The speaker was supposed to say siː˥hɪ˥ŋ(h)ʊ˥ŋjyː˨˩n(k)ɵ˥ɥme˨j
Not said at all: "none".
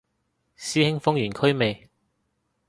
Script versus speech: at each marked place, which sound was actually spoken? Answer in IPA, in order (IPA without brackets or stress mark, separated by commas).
f, kʰ